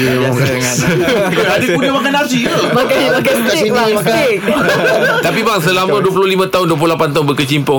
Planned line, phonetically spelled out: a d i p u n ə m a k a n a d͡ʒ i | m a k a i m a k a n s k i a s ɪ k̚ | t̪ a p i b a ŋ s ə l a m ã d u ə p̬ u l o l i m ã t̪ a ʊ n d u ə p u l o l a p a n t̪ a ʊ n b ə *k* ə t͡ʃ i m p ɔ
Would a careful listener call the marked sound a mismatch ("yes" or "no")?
no